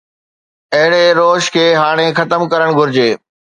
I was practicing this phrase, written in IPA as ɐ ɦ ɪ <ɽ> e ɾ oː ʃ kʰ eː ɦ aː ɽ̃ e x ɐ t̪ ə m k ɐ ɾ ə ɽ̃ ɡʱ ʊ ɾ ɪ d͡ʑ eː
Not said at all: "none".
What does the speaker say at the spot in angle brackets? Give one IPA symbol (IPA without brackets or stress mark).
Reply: ɽ